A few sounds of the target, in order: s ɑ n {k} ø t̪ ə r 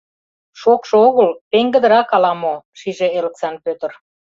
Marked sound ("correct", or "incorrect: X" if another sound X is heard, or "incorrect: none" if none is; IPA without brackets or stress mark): incorrect: p